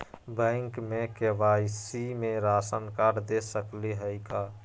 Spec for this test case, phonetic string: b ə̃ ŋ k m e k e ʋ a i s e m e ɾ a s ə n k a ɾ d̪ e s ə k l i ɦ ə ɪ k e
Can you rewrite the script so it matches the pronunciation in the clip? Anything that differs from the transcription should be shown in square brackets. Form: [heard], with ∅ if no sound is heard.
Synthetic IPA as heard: b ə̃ ŋ k m e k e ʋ a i s [i] m e ɾ a s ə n k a ɾ d̪ e s ə k l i ɦ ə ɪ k [a]